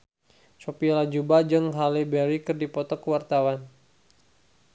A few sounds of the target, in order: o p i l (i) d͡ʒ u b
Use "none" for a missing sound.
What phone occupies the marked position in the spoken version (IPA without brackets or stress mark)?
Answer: a